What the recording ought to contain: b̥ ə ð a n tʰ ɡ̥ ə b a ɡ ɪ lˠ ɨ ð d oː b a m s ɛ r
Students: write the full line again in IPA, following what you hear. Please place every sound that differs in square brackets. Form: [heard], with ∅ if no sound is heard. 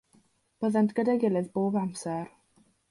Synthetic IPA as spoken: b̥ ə ð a n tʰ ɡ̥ ə [d] a ɡ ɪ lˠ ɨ ð [b] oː b a m s ɛ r